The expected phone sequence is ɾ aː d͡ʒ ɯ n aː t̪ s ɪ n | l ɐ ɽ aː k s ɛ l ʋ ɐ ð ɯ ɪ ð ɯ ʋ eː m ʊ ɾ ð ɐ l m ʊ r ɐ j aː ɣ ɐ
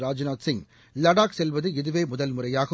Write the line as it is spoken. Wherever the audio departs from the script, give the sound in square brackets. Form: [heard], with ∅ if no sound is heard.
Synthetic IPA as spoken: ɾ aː d͡ʒ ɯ n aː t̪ s ɪ [ŋ] | l ɐ ɽ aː k s ɛ l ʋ ɐ ð ɯ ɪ ð ɯ ʋ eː m ʊ [∅] ð ɐ l m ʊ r ɐ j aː ɣ ɐ

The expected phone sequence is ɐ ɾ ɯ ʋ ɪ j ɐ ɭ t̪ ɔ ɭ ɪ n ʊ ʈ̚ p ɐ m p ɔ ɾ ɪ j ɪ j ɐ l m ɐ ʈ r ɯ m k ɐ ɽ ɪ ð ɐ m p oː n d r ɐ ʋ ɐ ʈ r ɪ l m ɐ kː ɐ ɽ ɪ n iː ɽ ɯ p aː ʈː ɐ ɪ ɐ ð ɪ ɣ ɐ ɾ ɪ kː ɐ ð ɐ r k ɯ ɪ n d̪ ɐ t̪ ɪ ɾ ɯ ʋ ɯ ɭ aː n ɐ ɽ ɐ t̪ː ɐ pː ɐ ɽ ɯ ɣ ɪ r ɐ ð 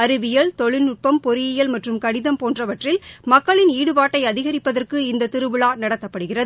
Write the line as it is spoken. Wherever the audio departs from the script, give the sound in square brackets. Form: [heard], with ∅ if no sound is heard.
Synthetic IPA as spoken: ɐ ɾ ɯ ʋ ɪ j ɐ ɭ t̪ ɔ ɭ ɪ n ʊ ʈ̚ p ɐ m p ɔ ɾ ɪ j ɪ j ɐ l m ɐ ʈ r ɯ m k ɐ ɽ ɪ ð ɐ m p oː n d r ɐ ʋ ɐ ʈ r ɪ l m ɐ kː ɐ [ɭ] ɪ n iː ɽ ɯ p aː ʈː ɐ ɪ ɐ ð ɪ ɣ ɐ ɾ ɪ [pː] ɐ ð ɐ r k ɯ ɪ n d̪ ɐ t̪ ɪ ɾ ɯ ʋ ɯ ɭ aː n ɐ ɽ ɐ t̪ː ɐ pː ɐ ɽ ɯ ɣ ɪ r ɐ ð

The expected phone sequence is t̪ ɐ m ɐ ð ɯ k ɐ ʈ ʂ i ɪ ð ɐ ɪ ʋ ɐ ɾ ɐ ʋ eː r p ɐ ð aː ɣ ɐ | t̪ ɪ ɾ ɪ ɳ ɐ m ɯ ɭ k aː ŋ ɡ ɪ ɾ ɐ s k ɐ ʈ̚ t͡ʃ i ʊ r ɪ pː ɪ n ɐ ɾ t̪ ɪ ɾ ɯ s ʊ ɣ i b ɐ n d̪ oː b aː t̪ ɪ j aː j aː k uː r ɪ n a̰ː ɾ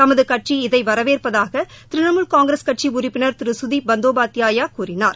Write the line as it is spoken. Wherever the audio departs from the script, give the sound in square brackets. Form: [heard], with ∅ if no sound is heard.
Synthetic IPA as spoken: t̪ ɐ m ɐ ð ɯ k ɐ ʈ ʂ i ɪ ð ɐ ɪ ʋ ɐ ɾ ɐ ʋ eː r p ɐ ð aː ɣ ɐ | t̪ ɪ ɾ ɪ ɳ ɐ m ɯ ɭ k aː ŋ ɡ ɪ ɾ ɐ s k ɐ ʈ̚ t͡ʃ i ʊ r ɪ pː ɪ n ɐ ɾ t̪ ɪ ɾ ɯ s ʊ [ð] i b ɐ n d̪ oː b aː t̪ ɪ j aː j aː k uː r ɪ n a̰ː ɾ

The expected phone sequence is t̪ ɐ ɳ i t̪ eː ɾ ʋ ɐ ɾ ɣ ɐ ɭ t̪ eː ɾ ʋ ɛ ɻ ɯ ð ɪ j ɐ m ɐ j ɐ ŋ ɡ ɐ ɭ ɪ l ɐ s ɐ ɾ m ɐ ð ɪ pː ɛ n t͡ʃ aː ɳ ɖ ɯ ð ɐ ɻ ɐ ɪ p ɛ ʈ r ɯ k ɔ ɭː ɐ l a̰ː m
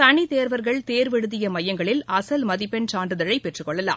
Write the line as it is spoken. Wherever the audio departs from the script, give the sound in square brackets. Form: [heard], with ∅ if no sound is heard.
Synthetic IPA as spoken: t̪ ɐ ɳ i t̪ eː ɾ ʋ ɐ ɾ ɣ ɐ ɭ t̪ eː ɾ ʋ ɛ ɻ ɯ ð ɪ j ɐ m ɐ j ɐ ŋ ɡ ɐ ɭ ɪ l ɐ s ɐ [l] m ɐ ð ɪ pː ɛ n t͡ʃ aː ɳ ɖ ɯ ð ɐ ɻ ɐ ɪ p ɛ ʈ r ɯ k ɔ ɭː ɐ l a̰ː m

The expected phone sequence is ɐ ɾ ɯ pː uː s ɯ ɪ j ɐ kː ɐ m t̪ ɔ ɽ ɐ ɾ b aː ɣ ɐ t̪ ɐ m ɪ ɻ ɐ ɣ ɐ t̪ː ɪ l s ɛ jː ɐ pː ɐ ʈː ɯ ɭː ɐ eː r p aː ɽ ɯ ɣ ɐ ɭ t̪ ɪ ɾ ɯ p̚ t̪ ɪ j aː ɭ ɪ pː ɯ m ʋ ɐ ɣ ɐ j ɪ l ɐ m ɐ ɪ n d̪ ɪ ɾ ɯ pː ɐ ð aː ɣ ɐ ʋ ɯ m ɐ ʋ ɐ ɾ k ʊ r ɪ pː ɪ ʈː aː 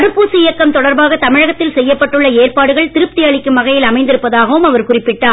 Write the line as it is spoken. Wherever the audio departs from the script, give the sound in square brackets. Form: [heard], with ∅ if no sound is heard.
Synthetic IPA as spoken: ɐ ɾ ɯ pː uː s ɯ ɪ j ɐ kː ɐ m t̪ ɔ ɽ ɐ ɾ b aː ɣ ɐ t̪ ɐ m ɪ ɻ ɐ ɣ ɐ t̪ː ɪ l s ɛ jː ɐ pː ɐ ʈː ɯ ɭː ɐ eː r p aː ɽ ɯ ɣ ɐ ɭ t̪ ɪ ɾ ɯ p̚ t̪ ɪ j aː ɭ ɪ [kː] ɯ m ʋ ɐ ɣ ɐ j ɪ l ɐ m ɐ ɪ n d̪ ɪ ɾ ɯ pː ɐ ð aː ɣ ɐ ʋ ɯ m ɐ ʋ ɐ ɾ k ʊ r ɪ pː ɪ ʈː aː

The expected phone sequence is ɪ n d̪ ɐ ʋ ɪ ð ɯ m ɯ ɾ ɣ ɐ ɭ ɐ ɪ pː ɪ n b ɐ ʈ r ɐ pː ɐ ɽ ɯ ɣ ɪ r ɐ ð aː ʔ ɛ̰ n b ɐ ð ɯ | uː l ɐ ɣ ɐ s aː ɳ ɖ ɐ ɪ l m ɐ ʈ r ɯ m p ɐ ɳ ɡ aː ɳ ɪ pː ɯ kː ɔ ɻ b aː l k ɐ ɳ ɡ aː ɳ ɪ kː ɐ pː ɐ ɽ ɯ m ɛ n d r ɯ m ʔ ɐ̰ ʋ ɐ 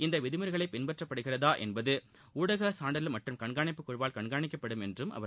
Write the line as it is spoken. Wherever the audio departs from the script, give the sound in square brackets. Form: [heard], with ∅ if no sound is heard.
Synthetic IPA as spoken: ɪ n d̪ ɐ ʋ ɪ ð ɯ m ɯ ɾ ɣ ɐ ɭ ɐ ɪ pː ɪ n b ɐ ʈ r ɐ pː ɐ ɽ ɯ ɣ ɪ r ɐ ð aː ʔ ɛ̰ n b ɐ ð ɯ | uː [ɽ] ɐ ɣ ɐ s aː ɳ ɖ ɐ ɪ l m ɐ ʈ r ɯ m [k] ɐ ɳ ɡ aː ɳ ɪ pː ɯ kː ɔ ɻ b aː l k ɐ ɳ ɡ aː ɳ ɪ kː ɐ pː ɐ ɽ ɯ m ɛ n d r ɯ m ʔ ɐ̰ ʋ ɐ

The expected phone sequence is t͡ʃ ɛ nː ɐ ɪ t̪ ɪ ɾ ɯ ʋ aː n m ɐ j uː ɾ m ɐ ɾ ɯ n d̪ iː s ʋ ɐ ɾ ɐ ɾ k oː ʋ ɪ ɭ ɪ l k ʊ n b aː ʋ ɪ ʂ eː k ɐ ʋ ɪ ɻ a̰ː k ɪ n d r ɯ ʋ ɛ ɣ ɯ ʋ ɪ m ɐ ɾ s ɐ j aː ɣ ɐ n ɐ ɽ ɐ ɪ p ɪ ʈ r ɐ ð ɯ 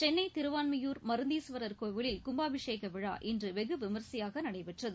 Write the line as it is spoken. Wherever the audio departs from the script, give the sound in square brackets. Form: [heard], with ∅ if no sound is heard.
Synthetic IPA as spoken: t͡ʃ ɛ nː ɐ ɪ t̪ ɪ ɾ ɯ ʋ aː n m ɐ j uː ɾ m ɐ ɾ ɯ n d̪ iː s ʋ ɐ ɾ ɐ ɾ k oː ʋ ɪ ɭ ɪ l k ʊ [m] b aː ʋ ɪ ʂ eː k ɐ ʋ ɪ ɻ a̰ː [ʔ] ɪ n d r ɯ ʋ ɛ ɣ ɯ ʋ ɪ m ɐ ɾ s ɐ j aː ɣ ɐ n ɐ ɽ ɐ ɪ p ɪ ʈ r ɐ ð ɯ

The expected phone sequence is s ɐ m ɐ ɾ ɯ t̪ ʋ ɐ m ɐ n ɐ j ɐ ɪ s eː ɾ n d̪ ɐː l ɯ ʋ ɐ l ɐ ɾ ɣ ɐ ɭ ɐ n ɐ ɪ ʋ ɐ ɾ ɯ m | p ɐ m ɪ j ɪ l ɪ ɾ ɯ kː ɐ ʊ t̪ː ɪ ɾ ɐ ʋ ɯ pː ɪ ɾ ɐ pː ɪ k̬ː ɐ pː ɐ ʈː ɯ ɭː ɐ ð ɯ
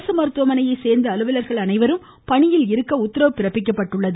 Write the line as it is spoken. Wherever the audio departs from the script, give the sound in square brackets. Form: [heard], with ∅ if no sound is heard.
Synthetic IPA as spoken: s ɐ m ɐ ɾ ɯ t̪ ʋ ɐ m ɐ n ɐ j ɐ ɪ s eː ɾ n d̪ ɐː l ɯ ʋ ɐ l ɐ ɾ ɣ ɐ ɭ ɐ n ɐ ɪ ʋ ɐ ɾ ɯ m | p ɐ [ɳ] ɪ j ɪ l ɪ ɾ ɯ kː ɐ ʊ t̪ː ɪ ɾ ɐ ʋ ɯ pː ɪ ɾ ɐ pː ɪ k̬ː ɐ pː ɐ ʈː ɯ ɭː ɐ ð ɯ

